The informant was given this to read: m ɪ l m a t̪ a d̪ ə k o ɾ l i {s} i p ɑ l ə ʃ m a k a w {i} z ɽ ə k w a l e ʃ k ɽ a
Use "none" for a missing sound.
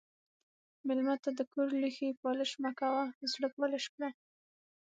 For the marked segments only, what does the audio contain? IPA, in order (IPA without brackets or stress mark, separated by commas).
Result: x, a